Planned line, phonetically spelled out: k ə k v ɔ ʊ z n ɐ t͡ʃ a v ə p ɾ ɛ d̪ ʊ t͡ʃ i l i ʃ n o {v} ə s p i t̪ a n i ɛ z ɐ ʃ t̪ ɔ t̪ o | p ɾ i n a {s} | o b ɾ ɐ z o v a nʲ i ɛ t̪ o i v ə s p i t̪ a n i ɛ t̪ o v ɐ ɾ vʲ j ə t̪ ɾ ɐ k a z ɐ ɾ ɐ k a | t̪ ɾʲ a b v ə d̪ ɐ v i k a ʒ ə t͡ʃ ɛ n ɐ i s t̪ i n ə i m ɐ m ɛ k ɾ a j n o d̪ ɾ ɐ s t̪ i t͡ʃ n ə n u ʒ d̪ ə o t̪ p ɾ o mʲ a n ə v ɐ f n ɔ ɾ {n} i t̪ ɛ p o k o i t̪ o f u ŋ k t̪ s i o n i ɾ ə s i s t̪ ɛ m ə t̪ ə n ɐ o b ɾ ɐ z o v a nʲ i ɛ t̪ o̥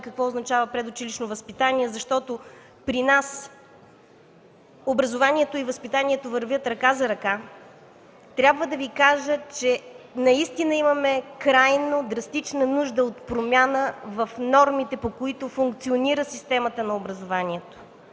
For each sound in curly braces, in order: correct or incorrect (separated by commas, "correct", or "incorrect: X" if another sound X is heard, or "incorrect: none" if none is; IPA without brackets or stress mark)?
correct, correct, incorrect: m